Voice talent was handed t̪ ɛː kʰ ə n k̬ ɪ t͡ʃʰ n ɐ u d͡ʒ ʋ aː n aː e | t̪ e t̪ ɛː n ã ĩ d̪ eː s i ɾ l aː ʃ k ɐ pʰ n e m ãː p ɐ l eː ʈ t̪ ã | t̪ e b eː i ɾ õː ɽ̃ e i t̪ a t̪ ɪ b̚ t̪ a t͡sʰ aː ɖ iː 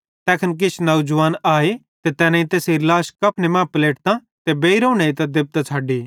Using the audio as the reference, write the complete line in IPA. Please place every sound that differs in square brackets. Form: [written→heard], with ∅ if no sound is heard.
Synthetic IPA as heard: t̪ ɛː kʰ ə n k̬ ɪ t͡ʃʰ n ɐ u d͡ʒ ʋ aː n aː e | t̪ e t̪ ɛː n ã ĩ [d̪→t̪] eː s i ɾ l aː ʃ k ɐ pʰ n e m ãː p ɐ l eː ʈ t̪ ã | t̪ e b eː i ɾ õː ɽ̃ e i t̪ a [t̪→d̪] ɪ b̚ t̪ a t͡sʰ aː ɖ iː